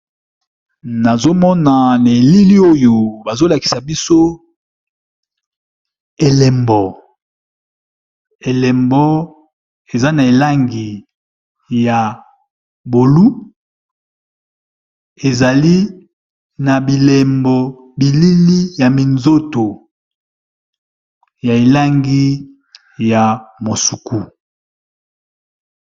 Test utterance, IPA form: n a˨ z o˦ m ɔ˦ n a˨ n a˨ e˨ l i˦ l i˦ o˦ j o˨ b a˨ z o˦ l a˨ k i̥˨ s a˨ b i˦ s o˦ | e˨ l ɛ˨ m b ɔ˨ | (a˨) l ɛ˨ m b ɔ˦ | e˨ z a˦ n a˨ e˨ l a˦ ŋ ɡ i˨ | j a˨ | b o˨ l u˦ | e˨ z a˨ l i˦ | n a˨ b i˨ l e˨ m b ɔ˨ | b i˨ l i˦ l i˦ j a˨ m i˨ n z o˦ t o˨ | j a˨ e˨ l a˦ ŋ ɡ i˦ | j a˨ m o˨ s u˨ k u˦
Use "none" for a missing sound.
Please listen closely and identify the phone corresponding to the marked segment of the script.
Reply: e˨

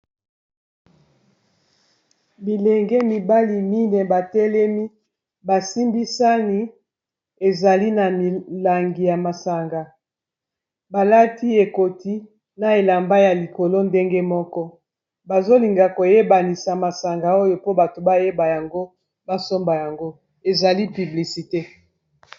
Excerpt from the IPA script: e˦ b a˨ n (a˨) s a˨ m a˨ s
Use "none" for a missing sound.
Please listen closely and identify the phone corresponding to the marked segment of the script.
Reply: i˨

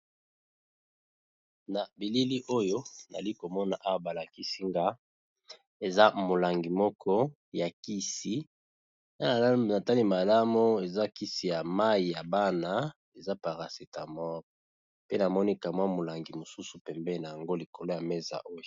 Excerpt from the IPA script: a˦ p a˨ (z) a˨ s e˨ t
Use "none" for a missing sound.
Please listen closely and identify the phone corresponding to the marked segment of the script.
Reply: ʁ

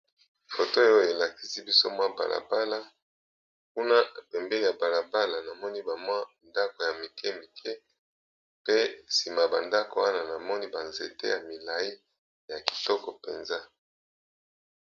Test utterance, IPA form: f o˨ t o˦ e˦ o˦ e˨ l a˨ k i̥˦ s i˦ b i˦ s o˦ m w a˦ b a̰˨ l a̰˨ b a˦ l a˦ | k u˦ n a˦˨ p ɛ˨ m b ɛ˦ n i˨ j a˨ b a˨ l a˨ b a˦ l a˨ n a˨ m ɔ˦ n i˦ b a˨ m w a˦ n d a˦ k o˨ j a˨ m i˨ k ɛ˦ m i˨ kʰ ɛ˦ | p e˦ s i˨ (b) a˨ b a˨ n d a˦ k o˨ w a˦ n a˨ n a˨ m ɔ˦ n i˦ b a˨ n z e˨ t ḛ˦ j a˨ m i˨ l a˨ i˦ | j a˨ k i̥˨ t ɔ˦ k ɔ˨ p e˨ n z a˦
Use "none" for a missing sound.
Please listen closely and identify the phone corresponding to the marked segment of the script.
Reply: m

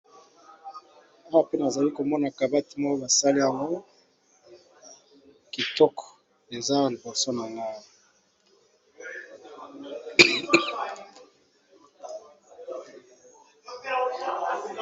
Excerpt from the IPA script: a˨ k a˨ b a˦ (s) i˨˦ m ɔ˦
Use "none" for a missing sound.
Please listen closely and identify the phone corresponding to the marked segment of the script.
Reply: t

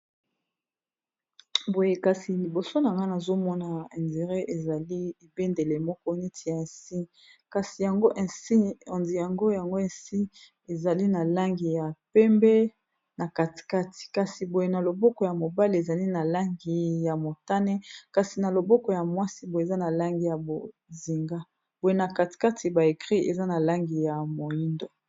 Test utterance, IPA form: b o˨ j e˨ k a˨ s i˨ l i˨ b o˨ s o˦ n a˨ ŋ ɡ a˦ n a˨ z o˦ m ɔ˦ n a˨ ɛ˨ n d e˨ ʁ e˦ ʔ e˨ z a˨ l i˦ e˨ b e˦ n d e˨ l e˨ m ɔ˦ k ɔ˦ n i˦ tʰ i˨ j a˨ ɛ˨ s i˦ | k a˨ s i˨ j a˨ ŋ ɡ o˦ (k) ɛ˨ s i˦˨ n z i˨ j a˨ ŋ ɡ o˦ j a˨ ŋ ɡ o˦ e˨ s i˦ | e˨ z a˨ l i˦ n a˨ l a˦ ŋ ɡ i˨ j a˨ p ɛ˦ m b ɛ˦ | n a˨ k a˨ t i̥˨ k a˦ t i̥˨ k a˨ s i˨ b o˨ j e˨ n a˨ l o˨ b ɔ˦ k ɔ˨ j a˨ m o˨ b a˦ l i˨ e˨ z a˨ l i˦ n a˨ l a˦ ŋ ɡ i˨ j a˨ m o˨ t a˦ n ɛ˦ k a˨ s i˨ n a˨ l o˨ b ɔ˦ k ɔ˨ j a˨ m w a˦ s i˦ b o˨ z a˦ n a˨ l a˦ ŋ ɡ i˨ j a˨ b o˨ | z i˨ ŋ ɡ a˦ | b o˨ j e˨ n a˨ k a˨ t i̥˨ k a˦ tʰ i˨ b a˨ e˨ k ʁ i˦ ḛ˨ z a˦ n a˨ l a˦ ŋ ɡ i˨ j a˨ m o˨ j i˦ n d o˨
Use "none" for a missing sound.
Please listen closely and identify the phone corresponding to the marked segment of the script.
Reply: ʔ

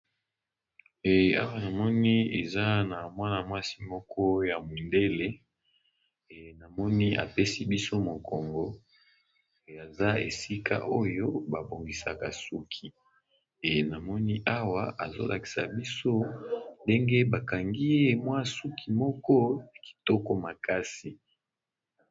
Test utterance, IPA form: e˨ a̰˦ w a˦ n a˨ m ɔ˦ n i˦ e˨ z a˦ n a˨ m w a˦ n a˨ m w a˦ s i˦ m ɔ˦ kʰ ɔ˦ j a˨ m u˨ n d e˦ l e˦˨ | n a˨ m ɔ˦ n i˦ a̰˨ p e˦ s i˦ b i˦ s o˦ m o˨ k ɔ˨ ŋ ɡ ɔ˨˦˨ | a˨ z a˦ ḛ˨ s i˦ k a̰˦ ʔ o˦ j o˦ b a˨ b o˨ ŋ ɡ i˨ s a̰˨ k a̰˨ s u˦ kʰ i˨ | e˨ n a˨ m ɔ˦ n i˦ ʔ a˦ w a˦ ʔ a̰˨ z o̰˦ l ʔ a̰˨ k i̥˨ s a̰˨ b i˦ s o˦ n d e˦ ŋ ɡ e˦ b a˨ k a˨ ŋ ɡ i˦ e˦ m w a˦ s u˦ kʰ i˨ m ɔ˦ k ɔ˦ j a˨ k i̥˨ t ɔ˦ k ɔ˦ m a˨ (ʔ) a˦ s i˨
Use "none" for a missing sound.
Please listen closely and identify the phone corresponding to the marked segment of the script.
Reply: k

